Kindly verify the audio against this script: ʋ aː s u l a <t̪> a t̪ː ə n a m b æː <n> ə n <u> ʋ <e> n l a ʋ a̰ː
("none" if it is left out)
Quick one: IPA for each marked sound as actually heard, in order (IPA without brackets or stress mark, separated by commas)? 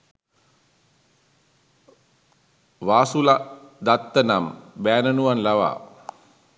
d̪, n, u, a